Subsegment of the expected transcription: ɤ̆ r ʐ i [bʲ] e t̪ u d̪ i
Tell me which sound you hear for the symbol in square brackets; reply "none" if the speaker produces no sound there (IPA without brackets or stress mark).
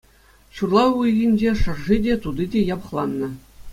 dʲ